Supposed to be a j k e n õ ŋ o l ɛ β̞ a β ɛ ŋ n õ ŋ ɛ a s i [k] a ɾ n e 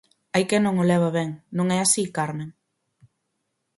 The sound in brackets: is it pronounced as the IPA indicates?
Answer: yes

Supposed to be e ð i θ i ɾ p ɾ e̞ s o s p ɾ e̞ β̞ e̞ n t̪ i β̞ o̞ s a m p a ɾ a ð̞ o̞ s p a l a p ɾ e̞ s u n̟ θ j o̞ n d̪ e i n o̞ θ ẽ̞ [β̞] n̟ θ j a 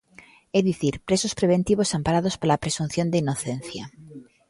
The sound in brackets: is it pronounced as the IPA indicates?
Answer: no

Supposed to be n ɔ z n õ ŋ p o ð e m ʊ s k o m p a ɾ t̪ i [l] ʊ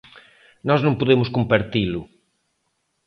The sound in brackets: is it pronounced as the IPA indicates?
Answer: yes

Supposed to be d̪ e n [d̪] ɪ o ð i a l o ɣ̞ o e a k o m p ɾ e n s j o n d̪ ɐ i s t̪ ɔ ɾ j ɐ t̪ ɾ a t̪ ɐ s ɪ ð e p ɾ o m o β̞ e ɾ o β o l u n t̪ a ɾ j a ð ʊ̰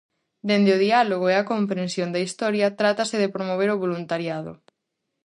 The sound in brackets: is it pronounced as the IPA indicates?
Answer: yes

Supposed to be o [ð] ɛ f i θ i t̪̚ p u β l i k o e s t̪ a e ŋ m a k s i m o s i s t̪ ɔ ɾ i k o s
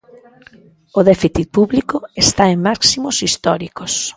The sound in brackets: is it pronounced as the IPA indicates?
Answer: yes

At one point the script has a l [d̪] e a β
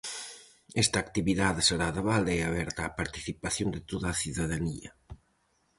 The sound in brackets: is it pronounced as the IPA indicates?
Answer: yes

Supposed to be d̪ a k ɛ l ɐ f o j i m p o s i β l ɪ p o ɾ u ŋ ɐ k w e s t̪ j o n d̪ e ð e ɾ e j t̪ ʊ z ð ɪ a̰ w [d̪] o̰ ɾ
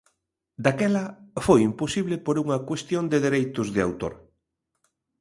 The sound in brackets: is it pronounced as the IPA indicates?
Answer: no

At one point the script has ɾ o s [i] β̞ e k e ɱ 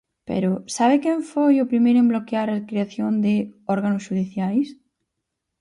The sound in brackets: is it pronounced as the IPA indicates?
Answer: no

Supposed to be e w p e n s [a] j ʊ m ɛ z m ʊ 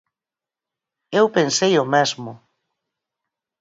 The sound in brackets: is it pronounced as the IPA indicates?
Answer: no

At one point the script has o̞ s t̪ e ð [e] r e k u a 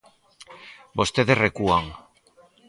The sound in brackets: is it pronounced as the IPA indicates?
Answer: yes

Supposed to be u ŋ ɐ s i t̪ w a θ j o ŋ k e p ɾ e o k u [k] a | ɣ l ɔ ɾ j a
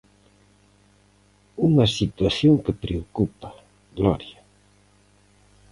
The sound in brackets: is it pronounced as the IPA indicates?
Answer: no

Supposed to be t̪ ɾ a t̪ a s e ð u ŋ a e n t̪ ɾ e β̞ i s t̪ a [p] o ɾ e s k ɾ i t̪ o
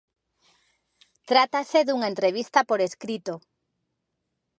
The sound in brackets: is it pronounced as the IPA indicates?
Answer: yes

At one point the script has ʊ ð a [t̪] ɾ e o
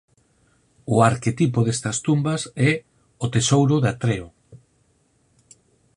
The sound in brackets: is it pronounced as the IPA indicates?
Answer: yes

